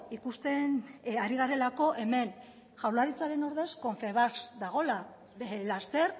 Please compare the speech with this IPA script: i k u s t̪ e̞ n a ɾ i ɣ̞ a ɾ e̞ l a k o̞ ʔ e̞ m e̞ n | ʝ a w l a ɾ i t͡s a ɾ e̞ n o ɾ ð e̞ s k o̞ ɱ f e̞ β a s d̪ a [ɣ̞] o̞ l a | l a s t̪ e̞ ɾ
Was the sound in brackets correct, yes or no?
yes